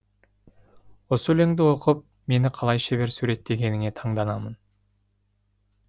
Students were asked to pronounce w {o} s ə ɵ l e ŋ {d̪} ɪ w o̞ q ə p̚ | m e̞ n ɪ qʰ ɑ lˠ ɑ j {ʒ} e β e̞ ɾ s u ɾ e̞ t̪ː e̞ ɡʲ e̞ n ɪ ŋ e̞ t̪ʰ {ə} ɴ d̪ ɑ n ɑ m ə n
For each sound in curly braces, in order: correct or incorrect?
correct, correct, incorrect: ʃ, incorrect: ɑ

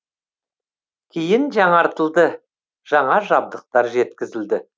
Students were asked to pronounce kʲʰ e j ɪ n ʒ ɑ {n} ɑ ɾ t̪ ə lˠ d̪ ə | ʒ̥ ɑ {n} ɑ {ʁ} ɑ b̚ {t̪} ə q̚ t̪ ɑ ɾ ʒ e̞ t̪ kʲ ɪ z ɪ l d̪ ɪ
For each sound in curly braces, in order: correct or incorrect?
incorrect: ɴ, incorrect: ɴ, incorrect: ʒ, incorrect: d̪

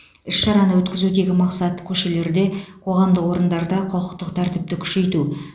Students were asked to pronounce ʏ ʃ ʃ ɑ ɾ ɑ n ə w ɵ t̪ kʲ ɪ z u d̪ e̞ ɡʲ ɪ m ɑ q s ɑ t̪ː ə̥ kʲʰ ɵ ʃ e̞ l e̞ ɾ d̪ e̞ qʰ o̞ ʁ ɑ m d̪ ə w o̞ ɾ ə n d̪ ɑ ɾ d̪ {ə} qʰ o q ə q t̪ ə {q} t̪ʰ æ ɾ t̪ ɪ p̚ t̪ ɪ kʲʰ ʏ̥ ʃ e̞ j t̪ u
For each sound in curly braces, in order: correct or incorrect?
incorrect: ɑ, correct

